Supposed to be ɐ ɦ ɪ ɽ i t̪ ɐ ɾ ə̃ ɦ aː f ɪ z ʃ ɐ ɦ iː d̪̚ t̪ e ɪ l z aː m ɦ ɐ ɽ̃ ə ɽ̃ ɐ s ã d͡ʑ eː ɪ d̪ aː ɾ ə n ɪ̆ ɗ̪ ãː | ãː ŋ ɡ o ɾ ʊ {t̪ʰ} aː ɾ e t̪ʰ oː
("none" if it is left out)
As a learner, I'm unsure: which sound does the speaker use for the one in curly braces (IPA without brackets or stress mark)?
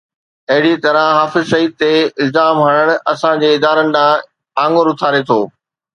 t̪ʰ